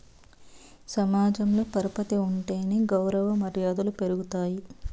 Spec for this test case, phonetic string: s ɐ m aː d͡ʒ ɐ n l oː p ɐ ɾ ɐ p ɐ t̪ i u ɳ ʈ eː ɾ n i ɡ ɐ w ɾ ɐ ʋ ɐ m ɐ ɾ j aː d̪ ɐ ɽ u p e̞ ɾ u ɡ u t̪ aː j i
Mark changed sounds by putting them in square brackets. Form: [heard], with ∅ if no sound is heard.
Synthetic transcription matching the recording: s ɐ m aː d͡ʒ ɐ [m] l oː p ɐ ɾ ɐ p ɐ t̪ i u ɳ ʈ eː [∅] n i ɡ ɐ w ɾ ɐ ʋ ɐ m ɐ ɾ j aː d̪ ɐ [l] u p e̞ ɾ u ɡ u t̪ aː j i